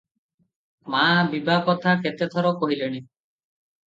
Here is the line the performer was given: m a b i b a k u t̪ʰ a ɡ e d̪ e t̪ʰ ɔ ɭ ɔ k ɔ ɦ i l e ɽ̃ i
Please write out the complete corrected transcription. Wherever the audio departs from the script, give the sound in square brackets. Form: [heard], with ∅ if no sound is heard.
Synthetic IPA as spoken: m a b i b a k [ɔ] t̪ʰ a [k] e [t̪] e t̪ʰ ɔ [ɾ] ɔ k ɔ ɦ i l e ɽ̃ i